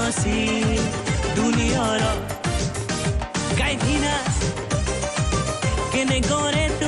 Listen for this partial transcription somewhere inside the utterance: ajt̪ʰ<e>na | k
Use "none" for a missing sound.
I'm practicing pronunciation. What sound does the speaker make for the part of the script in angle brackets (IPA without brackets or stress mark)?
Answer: i